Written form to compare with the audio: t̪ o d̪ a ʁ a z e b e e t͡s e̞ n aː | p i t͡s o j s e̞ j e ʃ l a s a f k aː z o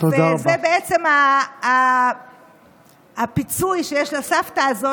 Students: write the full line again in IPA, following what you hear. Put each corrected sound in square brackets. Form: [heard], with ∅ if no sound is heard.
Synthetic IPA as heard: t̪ o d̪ a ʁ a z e b e e t͡s e̞ [m] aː | p i t͡s [u] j [ʃ] e̞ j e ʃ l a s a f [t] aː z o